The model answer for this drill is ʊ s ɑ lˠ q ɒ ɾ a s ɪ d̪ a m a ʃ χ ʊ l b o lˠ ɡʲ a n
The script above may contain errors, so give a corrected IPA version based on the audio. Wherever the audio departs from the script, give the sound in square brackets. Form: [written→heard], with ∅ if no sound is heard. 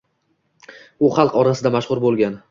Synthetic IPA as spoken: ʊ [s→χ] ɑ lˠ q ɒ ɾ a s ɪ d̪ a m a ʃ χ ʊ [l→ɾ] b o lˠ ɡʲ a n